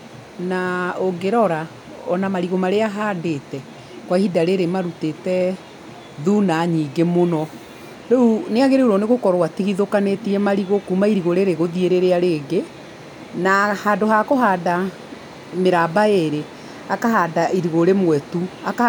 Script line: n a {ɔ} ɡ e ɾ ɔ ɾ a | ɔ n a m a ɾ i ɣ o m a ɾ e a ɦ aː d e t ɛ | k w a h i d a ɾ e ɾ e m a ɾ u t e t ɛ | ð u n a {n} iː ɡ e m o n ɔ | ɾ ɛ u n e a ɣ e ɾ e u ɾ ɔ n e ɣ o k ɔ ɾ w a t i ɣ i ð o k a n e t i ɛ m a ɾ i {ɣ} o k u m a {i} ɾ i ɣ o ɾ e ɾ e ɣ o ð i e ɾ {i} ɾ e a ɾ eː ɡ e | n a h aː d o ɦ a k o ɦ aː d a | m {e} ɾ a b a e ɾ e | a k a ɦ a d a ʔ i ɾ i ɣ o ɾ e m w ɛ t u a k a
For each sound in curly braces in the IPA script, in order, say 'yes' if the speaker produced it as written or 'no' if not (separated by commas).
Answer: no, no, yes, yes, no, yes